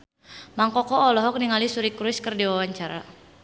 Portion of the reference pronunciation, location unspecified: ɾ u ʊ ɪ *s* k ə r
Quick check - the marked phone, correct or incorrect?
correct